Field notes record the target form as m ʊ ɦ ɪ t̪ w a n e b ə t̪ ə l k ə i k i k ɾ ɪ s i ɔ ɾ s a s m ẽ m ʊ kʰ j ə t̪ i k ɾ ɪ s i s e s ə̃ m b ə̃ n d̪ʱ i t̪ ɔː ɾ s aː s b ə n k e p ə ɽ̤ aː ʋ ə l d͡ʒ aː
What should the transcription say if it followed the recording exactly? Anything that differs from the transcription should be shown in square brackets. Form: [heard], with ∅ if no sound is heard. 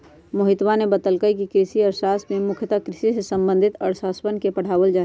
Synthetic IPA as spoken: m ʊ ɦ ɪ t̪ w a n e b ə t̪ ə l k ə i k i k ɾ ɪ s i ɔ ɾ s a s m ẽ m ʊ kʰ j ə t̪ [a] k ɾ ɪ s i s e s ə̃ m b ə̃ n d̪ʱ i t̪ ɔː ɾ s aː s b ə n k e p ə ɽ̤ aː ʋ ə l d͡ʒ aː